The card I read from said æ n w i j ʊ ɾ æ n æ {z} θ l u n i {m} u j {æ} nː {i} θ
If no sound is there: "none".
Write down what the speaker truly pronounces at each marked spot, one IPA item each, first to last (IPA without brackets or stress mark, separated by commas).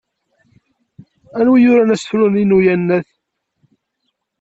s, n, æ, æ